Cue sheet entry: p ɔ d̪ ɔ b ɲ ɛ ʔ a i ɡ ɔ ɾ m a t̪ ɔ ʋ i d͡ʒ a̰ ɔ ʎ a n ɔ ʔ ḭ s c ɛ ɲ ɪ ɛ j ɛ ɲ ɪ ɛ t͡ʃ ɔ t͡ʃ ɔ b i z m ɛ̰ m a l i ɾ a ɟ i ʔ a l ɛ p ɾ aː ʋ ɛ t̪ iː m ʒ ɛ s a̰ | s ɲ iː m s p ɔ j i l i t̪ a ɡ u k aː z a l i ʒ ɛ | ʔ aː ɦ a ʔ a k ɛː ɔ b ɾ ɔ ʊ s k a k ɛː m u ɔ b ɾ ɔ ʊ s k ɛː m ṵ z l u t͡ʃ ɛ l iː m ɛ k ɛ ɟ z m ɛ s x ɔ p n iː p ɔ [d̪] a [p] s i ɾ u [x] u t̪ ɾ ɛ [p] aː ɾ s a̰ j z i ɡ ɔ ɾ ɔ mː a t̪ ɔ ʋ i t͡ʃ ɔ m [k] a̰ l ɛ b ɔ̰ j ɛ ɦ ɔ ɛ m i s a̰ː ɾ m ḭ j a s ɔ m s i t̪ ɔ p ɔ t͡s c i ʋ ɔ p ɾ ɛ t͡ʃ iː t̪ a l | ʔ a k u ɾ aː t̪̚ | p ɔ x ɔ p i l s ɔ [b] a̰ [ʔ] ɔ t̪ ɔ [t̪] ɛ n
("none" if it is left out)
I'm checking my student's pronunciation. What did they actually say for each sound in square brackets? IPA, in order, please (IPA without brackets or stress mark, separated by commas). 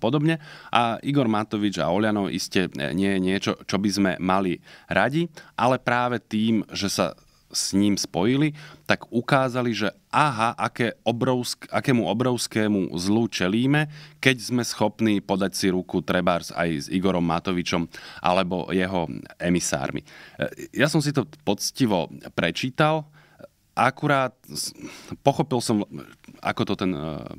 d̪, c, k, b, ʔ, m, k, t̪